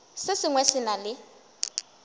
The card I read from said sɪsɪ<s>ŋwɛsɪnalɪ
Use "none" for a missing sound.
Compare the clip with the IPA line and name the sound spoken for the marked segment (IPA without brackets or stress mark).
none